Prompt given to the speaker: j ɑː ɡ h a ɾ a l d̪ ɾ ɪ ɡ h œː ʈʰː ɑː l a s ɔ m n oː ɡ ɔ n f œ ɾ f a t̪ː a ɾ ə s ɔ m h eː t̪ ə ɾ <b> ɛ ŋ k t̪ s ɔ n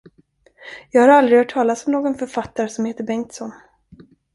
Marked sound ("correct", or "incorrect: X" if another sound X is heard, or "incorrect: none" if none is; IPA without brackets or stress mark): correct